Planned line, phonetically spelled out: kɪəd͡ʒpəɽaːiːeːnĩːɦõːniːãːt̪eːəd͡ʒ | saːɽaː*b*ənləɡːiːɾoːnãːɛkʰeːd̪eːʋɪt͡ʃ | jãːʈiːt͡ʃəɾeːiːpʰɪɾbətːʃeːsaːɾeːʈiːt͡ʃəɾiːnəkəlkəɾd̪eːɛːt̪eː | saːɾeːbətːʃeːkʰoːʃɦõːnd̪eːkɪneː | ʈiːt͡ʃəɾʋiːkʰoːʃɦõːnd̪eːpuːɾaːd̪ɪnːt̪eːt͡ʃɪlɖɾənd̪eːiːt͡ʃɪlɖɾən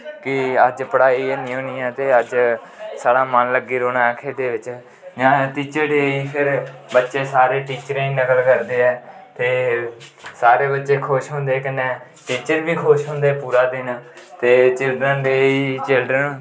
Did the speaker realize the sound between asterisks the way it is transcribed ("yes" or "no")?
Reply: no